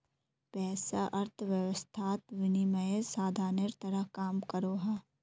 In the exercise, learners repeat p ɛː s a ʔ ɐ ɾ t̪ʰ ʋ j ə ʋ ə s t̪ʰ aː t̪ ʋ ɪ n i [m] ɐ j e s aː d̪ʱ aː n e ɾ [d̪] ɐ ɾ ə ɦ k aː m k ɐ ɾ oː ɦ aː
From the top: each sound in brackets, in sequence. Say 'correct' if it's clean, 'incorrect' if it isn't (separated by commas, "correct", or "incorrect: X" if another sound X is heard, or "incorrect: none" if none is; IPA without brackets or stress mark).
correct, incorrect: t̪